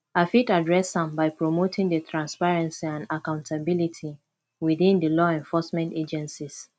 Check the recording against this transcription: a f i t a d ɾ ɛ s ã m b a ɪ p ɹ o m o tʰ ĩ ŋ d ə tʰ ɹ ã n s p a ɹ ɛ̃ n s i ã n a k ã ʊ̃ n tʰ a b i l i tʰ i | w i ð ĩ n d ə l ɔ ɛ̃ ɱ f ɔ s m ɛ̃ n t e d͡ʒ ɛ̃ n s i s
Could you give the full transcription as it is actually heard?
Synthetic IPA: a f i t a d ɹ ɛ s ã m b a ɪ p ɹ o m o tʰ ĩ ŋ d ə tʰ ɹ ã n s p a ɹ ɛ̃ n s i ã n a k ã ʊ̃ n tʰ a b i l i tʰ i | w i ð ĩ n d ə l ɔ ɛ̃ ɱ f ɔ s m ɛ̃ n t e d͡ʒ ɛ̃ n s i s